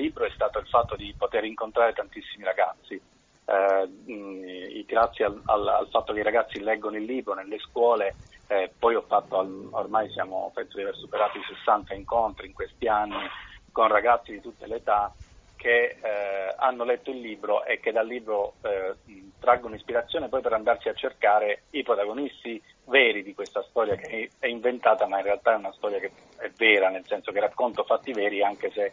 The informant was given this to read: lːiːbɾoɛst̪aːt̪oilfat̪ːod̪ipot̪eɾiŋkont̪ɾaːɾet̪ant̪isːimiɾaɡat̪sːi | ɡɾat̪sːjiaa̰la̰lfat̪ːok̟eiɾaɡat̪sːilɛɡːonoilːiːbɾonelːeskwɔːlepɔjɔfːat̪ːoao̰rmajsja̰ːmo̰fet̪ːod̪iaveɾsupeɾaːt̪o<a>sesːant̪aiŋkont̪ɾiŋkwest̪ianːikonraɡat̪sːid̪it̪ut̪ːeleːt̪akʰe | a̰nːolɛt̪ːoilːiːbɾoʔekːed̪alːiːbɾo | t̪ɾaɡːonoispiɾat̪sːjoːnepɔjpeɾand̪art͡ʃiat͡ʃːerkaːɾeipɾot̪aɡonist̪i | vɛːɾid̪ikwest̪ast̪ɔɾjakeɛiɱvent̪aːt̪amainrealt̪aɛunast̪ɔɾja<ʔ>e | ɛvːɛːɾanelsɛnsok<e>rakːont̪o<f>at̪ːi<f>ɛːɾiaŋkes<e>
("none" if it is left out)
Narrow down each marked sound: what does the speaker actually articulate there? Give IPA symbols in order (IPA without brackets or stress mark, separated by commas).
i, k, e, f, v, e